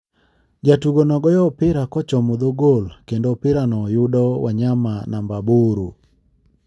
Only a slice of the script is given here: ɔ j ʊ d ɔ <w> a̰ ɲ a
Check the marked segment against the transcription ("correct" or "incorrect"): correct